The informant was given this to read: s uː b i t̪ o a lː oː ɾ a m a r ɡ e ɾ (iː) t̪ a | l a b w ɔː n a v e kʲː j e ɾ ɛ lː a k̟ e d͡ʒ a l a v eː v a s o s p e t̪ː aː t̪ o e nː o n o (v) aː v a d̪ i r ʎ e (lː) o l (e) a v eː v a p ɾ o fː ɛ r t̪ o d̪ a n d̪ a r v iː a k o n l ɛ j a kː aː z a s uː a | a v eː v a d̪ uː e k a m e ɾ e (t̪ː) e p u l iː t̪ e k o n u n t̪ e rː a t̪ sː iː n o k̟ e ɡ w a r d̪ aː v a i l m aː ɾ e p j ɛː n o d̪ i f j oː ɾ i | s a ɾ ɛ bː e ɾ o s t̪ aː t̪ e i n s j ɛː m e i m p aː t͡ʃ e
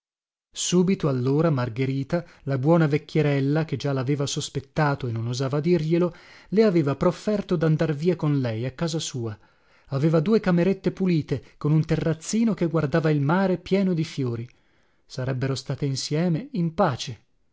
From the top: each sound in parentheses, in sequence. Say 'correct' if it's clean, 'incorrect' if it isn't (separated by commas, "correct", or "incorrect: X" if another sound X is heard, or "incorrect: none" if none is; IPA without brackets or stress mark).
correct, incorrect: z, incorrect: l, correct, correct